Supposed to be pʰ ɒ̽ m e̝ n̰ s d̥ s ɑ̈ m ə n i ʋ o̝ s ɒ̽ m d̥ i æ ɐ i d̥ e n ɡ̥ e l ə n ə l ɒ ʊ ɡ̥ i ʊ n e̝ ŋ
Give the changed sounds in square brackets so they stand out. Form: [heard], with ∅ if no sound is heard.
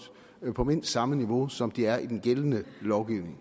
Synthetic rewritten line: pʰ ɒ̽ m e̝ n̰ s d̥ s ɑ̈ m ə n i ʋ o̝ s ɒ̽ m d̥ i æ ɐ i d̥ e n ɡ̥ e l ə n ə l ɒ ʊ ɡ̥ i ʊ n e̝ ŋ